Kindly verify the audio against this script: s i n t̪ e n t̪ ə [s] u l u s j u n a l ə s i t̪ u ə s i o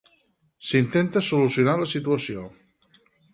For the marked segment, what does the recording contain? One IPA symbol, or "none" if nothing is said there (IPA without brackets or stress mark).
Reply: s